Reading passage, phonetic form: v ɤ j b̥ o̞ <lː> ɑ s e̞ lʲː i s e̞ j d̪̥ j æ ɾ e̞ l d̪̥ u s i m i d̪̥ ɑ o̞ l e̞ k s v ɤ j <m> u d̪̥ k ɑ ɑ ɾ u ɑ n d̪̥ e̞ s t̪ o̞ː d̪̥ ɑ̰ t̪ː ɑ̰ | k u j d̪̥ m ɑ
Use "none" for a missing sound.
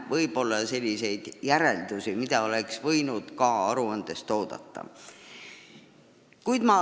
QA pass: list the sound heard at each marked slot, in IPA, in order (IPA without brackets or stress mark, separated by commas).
lː, n